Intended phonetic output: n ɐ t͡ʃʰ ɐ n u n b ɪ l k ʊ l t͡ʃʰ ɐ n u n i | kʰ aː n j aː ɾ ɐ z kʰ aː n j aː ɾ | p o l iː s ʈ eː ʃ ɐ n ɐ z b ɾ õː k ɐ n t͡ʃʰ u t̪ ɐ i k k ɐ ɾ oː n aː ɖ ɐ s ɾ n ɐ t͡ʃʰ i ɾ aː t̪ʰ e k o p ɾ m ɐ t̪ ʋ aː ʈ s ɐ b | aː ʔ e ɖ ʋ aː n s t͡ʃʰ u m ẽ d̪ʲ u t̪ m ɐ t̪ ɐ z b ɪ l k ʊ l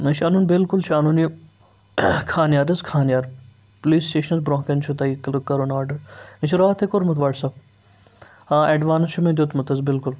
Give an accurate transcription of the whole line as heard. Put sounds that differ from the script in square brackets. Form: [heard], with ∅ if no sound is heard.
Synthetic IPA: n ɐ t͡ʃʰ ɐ n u n b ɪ l k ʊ l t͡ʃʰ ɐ n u n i | kʰ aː n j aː ɾ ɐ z kʰ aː n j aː ɾ | p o l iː s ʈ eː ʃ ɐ n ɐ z b ɾ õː k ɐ n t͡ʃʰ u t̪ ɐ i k k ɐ ɾ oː n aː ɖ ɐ [∅] ɾ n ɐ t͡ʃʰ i ɾ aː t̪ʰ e k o [∅] ɾ m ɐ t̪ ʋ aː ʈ s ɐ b | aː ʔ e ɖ ʋ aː n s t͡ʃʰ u m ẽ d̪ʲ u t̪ m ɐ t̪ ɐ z b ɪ l k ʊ l